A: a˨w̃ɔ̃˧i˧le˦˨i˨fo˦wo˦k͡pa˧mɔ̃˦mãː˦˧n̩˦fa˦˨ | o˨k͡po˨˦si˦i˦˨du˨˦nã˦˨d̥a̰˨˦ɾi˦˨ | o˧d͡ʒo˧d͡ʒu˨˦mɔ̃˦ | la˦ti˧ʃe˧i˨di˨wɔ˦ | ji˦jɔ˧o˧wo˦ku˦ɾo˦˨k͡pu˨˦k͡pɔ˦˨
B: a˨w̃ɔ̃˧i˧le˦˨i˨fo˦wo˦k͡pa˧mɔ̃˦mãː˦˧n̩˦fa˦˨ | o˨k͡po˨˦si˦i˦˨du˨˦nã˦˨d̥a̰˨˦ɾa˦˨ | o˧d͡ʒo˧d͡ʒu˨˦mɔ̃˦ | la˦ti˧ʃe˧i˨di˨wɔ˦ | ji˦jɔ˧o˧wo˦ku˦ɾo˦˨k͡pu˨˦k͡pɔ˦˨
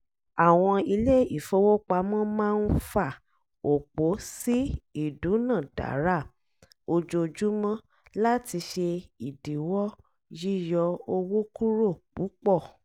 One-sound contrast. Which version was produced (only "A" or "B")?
B